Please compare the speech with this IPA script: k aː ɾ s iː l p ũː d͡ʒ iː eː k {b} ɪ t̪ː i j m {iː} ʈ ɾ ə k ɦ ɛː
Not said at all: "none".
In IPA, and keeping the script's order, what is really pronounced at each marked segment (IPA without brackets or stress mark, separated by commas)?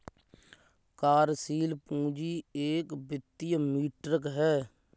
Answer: b, iː